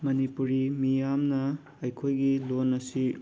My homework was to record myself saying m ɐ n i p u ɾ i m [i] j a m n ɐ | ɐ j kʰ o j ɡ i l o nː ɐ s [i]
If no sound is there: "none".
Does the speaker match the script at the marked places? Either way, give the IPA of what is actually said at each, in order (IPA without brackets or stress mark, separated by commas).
i, i